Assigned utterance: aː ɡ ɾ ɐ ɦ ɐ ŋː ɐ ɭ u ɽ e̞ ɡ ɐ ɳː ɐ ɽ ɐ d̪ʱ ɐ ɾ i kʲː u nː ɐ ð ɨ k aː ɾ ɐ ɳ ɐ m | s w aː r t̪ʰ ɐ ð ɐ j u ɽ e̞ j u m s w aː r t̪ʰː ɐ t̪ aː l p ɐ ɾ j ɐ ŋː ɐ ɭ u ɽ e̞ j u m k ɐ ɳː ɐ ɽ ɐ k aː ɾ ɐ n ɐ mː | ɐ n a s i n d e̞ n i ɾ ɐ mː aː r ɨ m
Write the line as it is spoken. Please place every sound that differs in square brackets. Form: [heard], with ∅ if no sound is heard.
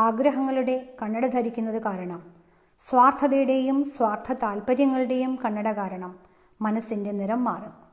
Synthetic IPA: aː ɡ ɾ ɐ ɦ ɐ ŋː ɐ ɭ u ɽ e̞ [k] ɐ ɳː ɐ ɽ ɐ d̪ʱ ɐ ɾ i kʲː u nː ɐ ð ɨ k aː ɾ ɐ ɳ ɐ m | s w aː r t̪ʰ ɐ ð ɐ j u ɽ e̞ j u m s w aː r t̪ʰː ɐ t̪ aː l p ɐ ɾ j ɐ ŋː ɐ ɭ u ɽ e̞ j u m k ɐ ɳː ɐ ɽ ɐ k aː ɾ ɐ [ɳ] ɐ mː | ɐ n [ɐ] s i n d e̞ n i ɾ ɐ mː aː r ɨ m